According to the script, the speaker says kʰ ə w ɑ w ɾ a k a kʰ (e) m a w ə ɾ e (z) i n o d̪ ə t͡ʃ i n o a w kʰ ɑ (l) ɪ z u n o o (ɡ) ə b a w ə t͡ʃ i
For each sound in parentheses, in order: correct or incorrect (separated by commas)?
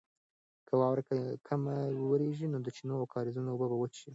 incorrect, incorrect, incorrect, incorrect